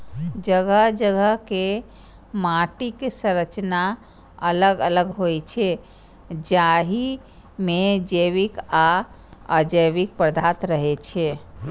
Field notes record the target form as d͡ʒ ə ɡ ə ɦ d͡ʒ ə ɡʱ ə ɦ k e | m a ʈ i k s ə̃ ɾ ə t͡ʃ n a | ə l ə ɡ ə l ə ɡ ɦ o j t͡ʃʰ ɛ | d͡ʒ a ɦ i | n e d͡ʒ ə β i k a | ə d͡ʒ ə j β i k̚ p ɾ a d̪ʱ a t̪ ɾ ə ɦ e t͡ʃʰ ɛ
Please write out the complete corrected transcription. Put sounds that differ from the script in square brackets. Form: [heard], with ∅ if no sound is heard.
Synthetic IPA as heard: d͡ʒ ə ɡ ə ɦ d͡ʒ ə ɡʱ ə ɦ k e | m a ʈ i k s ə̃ ɾ ə t͡ʃ n a | ə l ə ɡ ə l ə ɡ ɦ o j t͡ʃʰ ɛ | d͡ʒ a ɦ i | [m] e d͡ʒ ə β i k a | ə d͡ʒ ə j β i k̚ p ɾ [ə] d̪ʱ a t̪ ɾ ə ɦ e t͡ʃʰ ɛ